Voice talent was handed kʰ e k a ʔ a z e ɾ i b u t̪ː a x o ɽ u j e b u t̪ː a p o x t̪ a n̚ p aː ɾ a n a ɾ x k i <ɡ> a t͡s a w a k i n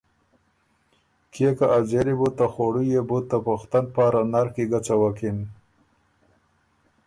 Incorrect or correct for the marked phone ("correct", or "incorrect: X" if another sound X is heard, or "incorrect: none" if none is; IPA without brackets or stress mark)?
correct